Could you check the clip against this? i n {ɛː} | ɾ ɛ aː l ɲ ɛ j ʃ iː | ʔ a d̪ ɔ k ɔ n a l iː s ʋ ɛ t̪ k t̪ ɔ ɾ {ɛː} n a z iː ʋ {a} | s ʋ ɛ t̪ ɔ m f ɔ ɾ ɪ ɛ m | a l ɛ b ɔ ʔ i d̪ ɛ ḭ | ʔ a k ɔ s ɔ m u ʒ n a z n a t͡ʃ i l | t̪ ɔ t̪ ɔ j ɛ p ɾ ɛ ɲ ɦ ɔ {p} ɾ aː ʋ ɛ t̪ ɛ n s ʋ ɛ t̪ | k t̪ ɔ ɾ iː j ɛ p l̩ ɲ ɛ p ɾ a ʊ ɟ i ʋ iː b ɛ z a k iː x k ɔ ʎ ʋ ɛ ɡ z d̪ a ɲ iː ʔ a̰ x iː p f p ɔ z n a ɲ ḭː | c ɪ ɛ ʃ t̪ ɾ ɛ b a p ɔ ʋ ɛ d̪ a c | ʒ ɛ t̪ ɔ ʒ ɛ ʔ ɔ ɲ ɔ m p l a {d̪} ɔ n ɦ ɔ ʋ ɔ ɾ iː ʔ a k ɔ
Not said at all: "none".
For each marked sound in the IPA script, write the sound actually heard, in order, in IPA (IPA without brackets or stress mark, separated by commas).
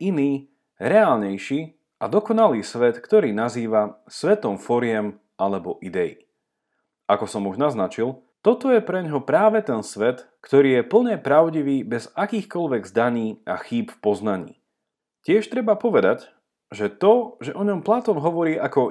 iː, iː, a, p, t̪